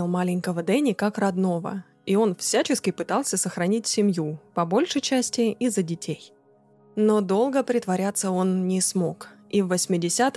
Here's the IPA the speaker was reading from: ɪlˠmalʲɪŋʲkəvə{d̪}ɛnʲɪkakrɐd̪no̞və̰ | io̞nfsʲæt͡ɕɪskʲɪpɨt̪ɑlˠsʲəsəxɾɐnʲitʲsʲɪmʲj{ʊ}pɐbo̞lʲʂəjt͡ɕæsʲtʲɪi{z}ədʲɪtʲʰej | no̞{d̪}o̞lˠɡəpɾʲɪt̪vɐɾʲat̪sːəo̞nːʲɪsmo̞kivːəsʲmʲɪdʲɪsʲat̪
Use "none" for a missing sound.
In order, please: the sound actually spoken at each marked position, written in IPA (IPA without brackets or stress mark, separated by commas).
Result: d̪, u, z, d̪